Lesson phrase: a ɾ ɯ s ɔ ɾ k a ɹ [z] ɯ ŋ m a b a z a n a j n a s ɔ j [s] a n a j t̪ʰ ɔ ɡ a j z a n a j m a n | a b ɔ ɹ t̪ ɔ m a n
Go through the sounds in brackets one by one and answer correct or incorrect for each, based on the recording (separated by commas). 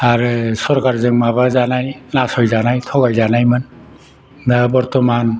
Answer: correct, incorrect